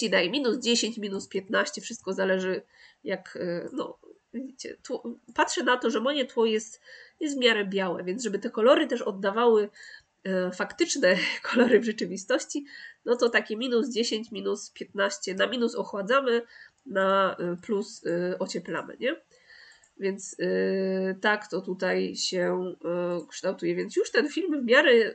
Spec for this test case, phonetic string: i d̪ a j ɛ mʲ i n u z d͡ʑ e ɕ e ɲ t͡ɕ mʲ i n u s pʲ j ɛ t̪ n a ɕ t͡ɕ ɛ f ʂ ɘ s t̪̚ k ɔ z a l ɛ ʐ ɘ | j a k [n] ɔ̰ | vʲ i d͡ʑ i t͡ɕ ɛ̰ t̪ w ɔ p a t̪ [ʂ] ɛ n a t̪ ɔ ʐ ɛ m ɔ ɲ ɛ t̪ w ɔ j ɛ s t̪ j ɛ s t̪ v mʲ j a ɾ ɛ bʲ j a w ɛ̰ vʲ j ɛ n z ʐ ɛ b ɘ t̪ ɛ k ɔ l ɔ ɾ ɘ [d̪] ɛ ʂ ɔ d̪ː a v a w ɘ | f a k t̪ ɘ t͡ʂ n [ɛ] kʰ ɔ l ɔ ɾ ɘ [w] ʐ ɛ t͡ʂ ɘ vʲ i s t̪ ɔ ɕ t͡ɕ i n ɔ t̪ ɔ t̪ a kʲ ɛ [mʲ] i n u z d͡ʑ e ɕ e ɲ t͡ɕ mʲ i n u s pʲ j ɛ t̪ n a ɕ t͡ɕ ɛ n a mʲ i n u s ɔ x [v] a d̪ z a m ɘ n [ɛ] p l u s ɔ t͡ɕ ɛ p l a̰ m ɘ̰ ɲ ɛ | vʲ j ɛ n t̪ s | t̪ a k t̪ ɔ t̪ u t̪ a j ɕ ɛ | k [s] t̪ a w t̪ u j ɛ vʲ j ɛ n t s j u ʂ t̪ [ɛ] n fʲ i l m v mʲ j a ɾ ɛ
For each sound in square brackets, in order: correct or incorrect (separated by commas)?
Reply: correct, correct, incorrect, correct, incorrect, correct, incorrect, incorrect, incorrect, correct